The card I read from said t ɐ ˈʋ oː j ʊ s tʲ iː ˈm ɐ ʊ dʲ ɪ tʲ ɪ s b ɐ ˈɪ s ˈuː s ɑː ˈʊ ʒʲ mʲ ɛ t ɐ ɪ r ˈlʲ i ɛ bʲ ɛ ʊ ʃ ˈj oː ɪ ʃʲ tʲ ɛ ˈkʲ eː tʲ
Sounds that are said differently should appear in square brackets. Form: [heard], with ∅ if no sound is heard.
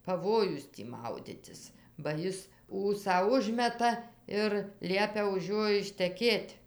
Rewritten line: [p] ɐ ˈʋ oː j ʊ s tʲ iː ˈm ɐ ʊ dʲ ɪ tʲ ɪ s b ɐ ˈɪ s ˈuː s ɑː ˈʊ ʒʲ mʲ ɛ t ɐ ɪ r ˈlʲ i ɛ [pʲ] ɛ ʊ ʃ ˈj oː ɪ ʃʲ tʲ ɛ ˈkʲ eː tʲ